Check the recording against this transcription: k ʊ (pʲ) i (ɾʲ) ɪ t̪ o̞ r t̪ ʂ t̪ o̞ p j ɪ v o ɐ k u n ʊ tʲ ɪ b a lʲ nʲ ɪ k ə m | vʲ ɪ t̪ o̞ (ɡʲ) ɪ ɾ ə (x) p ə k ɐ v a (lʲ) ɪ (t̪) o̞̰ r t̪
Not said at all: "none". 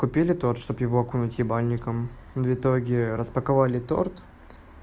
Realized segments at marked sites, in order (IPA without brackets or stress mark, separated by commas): pʲ, lʲ, ɡʲ, s, lʲ, t̪